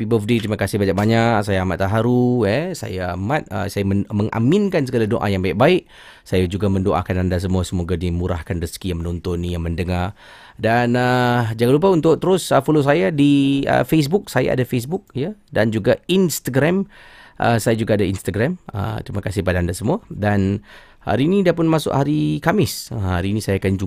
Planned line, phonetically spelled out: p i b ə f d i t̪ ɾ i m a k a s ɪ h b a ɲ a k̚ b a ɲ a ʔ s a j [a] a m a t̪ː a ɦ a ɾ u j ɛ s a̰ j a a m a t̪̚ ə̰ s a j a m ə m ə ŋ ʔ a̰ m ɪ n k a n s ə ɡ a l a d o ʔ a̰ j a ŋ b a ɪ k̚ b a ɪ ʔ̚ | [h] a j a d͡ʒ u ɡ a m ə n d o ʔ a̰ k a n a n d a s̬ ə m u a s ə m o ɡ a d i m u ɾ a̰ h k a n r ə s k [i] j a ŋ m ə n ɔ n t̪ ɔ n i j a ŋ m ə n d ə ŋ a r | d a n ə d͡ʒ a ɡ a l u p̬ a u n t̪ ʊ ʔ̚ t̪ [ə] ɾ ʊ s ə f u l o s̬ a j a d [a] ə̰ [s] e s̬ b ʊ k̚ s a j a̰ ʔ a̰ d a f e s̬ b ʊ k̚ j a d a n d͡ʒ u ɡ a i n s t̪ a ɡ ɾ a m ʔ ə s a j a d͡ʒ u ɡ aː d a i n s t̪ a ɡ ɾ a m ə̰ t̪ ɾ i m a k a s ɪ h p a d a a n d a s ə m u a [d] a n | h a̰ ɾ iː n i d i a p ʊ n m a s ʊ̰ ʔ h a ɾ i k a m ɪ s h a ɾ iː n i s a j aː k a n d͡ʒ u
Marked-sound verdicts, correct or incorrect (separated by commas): correct, incorrect, correct, correct, incorrect, incorrect, correct